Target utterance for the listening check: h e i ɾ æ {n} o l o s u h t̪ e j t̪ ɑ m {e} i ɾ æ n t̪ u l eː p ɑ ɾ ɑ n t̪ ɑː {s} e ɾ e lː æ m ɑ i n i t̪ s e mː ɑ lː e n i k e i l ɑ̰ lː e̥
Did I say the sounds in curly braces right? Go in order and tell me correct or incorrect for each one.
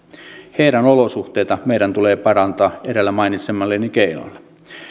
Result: correct, correct, incorrect: none

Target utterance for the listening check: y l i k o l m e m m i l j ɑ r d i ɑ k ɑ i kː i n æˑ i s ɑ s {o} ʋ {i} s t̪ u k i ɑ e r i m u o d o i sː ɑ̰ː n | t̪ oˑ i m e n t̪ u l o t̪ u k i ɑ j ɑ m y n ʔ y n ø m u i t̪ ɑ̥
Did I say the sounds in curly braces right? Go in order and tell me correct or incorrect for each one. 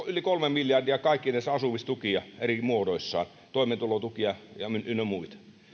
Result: incorrect: u, correct

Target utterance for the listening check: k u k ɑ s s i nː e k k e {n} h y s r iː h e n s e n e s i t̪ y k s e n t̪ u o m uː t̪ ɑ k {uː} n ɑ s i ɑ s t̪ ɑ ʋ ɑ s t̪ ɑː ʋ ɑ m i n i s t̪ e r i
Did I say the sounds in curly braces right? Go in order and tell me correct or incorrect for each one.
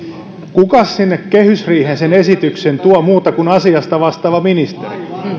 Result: incorrect: none, incorrect: u

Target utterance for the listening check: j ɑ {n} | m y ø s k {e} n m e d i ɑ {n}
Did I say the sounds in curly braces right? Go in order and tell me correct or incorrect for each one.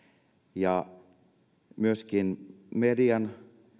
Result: incorrect: none, incorrect: i, correct

